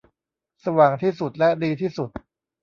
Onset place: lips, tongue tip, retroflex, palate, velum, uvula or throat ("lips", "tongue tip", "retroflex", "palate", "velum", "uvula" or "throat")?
tongue tip